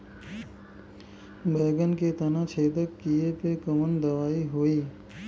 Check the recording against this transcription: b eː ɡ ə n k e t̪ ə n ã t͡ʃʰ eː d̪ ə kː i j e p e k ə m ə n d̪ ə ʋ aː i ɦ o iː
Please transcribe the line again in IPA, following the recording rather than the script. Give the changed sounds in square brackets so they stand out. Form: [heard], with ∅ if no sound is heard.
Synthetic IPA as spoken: b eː ɡ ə n k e t̪ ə n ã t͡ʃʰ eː d̪ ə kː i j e p e k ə m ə n d̪ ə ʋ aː i ɦ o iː